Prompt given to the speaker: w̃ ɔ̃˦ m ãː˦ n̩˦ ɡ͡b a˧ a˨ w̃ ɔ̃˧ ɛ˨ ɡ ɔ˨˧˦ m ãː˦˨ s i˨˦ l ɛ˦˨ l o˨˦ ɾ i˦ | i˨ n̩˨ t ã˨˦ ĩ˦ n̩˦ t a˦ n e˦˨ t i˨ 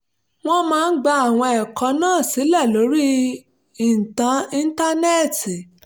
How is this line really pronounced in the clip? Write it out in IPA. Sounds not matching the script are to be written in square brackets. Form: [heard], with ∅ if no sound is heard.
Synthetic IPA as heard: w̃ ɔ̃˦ m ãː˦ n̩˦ ɡ͡b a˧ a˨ w̃ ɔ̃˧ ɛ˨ [k] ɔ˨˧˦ [n] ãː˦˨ s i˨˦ l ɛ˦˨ l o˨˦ ɾ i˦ | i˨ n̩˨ t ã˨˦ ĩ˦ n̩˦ t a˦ n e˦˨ t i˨